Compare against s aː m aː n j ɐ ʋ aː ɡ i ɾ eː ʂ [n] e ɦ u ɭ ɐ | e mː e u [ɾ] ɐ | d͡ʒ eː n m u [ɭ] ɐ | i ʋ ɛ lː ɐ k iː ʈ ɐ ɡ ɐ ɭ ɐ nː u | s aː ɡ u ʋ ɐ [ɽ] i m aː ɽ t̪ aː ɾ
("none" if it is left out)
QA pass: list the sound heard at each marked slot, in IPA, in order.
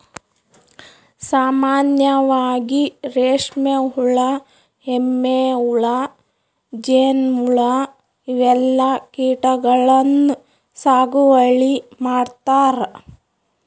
m, ɭ, ɭ, ɭ

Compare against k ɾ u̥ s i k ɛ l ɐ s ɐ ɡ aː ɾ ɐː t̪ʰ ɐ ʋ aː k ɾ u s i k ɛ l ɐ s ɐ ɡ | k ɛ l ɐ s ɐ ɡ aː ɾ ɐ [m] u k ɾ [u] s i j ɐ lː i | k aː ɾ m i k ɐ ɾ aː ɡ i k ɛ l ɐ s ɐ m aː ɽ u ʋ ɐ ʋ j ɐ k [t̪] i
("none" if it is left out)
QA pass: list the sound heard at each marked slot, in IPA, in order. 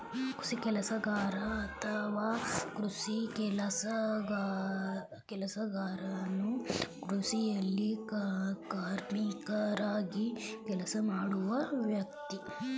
n, u, t̪

